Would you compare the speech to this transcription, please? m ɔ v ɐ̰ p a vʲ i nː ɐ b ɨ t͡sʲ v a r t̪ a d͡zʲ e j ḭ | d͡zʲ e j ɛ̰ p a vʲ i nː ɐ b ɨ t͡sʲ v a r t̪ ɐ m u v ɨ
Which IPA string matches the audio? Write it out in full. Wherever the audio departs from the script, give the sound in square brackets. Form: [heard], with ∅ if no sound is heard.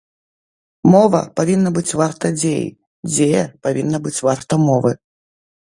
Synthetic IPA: m ɔ v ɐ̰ p a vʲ i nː ɐ b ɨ t͡sʲ v a r t̪ [ɐ] d͡zʲ e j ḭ | d͡zʲ e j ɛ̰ p a vʲ i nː ɐ b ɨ t͡sʲ v a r t̪ ɐ m [ɔ] v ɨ

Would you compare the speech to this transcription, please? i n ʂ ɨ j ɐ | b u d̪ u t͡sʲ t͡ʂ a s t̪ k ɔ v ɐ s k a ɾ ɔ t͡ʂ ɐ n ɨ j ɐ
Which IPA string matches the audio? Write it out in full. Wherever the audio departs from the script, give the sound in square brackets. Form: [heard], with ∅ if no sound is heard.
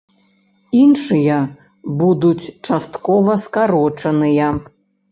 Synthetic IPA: i n ʂ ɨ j ɐ | b u d̪ u t͡sʲ t͡ʂ a s t̪ k ɔ v ɐ s k a ɾ ɔ t͡ʂ ɐ n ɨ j ɐ

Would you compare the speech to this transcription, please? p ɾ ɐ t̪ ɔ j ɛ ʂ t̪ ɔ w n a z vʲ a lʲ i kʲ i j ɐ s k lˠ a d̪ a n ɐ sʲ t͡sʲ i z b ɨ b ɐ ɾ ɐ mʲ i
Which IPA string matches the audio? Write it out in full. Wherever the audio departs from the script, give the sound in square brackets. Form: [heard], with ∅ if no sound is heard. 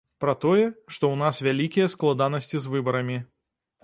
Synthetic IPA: p ɾ ɐ t̪ ɔ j ɛ ʂ t̪ ɔ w n a [s] vʲ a lʲ i kʲ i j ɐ s k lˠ a d̪ a n ɐ sʲ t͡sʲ i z [v] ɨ b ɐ ɾ ɐ mʲ i

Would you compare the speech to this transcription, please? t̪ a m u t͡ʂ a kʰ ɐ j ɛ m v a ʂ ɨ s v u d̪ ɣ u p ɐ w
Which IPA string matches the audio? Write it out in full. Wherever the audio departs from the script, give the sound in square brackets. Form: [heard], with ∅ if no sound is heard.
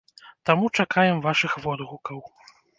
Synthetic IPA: t̪ a m u t͡ʂ a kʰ [a] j ɛ m v a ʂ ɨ [x] v [ɔ] d̪ ɣ u [k] ɐ w

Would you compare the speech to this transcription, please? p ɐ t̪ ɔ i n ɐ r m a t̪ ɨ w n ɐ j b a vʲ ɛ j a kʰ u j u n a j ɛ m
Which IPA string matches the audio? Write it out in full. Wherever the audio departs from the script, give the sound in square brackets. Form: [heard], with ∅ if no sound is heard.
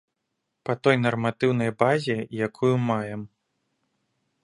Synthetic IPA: p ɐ t̪ ɔ [j] n ɐ r m a t̪ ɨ w n ɐ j b a [zʲ] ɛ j a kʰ u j u [m] a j ɛ m

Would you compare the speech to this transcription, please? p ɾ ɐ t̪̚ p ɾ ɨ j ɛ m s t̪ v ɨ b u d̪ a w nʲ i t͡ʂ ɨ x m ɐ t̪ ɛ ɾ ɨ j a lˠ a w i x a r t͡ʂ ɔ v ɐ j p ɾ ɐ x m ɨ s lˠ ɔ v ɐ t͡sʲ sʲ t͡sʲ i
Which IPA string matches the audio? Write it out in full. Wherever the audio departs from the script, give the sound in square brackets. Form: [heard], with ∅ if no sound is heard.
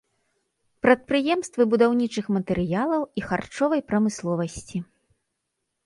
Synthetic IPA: p ɾ ɐ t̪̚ p ɾ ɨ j ɛ m s t̪ v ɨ b u d̪ a w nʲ i t͡ʂ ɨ x m ɐ t̪ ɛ ɾ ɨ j a lˠ [ɐ] w i x a r t͡ʂ ɔ v ɐ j p ɾ ɐ [∅] m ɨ s lˠ ɔ v ɐ [∅] sʲ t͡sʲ i

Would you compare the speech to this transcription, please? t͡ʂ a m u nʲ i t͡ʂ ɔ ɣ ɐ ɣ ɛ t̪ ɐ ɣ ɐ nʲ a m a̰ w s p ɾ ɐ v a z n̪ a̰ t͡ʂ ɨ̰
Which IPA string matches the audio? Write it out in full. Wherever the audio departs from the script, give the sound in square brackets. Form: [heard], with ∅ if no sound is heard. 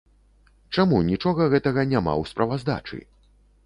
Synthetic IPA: t͡ʂ a m u nʲ i t͡ʂ ɔ ɣ ɐ ɣ ɛ t̪ ɐ ɣ ɐ nʲ a m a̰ w s p ɾ ɐ v a z [d̪] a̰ t͡ʂ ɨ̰

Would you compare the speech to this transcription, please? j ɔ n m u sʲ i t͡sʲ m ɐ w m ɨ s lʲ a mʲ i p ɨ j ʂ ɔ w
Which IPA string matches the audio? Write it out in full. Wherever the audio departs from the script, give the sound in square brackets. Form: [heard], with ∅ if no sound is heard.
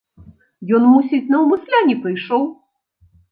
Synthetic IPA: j ɔ n m u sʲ i t͡sʲ [n] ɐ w m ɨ s lʲ a [nʲ] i p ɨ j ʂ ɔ w

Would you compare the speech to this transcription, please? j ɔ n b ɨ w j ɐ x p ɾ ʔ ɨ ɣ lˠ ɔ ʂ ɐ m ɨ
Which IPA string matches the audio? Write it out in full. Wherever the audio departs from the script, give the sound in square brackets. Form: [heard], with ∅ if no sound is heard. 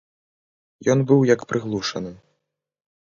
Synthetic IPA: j ɔ n b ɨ w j ɐ [k] p ɾ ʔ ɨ ɣ lˠ [u] ʂ ɐ [n] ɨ

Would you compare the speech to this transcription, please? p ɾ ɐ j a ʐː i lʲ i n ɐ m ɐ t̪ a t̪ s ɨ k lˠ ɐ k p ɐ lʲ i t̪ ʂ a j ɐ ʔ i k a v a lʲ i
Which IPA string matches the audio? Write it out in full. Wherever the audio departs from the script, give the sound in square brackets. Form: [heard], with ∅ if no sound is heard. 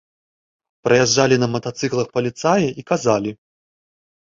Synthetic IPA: p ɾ ɐ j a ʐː [a] lʲ i n ɐ m ɐ t̪ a t̪ s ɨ k lˠ ɐ [x] p ɐ lʲ i t̪ [s] a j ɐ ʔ i k a [z] a lʲ i

